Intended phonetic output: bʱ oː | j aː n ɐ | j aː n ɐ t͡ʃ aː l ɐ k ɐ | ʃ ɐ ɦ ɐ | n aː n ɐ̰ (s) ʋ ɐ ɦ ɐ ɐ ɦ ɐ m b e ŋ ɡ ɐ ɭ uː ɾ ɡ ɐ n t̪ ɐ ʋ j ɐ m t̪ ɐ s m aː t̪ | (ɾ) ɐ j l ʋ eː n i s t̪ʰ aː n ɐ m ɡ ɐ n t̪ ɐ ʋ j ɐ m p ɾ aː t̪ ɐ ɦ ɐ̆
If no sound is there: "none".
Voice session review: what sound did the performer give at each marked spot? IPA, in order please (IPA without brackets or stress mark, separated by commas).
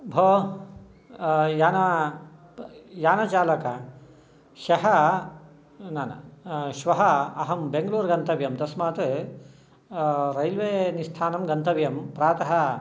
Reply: ʃ, ɾ